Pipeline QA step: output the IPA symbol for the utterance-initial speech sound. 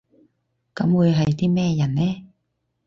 k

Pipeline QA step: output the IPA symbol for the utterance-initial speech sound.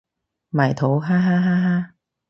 m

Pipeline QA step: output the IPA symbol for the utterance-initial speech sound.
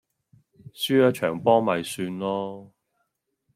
s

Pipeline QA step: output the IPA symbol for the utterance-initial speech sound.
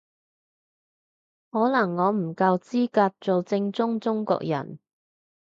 h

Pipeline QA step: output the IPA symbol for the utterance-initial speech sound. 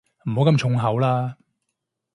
m̩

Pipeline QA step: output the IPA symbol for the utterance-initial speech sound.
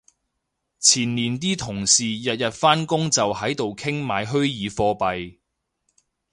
t͡sʰ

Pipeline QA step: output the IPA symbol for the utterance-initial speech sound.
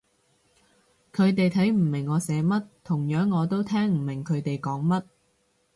kʰ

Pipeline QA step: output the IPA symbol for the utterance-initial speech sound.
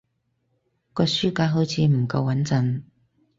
k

